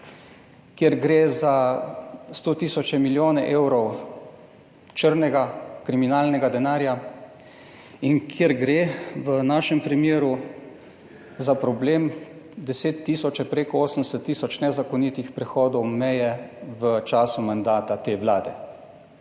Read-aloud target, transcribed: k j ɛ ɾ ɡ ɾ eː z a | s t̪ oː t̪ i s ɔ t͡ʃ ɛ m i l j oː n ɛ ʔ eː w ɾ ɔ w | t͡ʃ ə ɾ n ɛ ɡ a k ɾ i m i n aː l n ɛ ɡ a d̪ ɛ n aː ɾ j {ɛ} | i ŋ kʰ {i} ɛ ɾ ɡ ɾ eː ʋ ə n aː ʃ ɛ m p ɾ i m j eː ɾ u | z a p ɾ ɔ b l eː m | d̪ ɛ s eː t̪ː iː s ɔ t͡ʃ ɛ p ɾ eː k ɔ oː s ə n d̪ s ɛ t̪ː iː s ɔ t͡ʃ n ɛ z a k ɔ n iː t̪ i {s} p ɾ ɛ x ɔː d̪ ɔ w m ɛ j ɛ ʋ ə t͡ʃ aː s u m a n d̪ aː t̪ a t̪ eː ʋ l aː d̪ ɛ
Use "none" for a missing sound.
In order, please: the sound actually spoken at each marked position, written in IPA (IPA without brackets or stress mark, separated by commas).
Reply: a, j, x